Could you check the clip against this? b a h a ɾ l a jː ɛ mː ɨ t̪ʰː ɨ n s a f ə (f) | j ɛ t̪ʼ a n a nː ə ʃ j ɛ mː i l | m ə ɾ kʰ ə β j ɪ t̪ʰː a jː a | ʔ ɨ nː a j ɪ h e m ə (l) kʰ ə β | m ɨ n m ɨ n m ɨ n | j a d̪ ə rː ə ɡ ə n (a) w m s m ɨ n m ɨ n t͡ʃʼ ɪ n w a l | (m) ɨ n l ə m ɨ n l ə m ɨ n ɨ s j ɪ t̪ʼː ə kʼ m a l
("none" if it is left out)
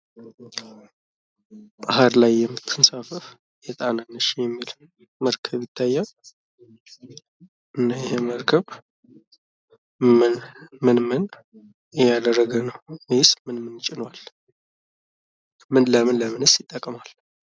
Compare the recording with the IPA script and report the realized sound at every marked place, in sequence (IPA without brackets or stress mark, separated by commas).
f, ɾ, ə, m